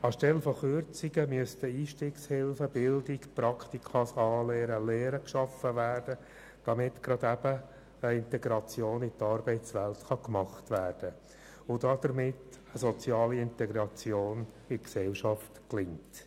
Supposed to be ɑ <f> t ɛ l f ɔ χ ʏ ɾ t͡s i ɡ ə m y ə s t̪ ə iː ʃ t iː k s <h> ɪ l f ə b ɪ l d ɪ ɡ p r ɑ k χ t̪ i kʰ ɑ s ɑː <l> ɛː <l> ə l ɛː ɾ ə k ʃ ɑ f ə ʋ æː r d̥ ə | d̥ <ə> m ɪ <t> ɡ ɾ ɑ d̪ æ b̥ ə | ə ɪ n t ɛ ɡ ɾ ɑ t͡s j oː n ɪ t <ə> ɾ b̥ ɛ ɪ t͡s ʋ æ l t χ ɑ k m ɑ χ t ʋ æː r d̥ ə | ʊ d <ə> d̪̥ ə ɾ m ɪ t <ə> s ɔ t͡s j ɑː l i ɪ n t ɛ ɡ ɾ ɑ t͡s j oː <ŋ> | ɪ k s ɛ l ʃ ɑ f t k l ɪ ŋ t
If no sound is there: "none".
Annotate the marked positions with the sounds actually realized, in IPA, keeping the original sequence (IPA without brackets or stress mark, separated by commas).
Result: ʃ, h, l, ɾ, ɑ, t, ɑ, ɑ, ə, n